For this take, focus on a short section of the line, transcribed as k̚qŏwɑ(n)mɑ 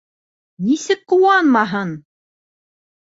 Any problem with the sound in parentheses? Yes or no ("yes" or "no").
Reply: no